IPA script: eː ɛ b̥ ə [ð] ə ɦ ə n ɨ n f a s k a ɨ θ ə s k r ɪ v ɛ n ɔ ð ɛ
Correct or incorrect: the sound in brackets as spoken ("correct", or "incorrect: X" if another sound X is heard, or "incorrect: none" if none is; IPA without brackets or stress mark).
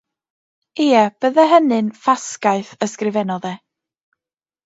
correct